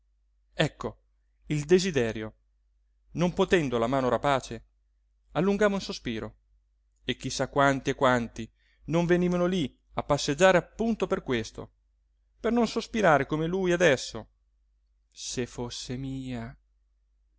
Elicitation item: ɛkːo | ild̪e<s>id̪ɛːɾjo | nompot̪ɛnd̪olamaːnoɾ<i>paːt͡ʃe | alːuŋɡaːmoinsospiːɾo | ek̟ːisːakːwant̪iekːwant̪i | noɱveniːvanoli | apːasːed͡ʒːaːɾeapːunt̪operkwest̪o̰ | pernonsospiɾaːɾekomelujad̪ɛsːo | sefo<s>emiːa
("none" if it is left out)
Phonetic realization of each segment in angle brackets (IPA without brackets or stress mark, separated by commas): z, a, sː